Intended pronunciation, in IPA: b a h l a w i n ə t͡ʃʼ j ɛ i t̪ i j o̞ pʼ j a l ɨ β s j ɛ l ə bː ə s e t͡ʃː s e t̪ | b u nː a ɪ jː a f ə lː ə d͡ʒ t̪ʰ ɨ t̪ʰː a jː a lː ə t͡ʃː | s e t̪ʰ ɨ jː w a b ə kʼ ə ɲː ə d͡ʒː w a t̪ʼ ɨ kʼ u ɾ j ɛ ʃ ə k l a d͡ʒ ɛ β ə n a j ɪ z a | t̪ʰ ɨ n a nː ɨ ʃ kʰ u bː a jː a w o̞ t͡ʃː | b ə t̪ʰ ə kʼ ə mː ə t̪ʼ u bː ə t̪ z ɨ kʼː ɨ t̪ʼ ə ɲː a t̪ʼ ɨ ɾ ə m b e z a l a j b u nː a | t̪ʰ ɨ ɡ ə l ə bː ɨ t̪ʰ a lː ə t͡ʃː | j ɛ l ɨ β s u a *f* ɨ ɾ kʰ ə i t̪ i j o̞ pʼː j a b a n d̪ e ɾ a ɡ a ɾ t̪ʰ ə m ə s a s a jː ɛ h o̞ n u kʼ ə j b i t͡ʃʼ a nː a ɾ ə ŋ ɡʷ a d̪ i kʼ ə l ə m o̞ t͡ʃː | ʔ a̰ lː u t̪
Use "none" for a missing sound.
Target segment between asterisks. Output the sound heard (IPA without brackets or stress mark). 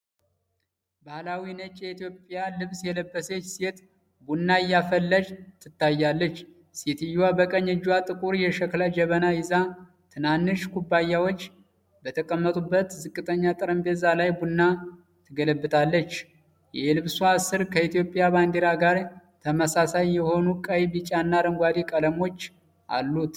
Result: s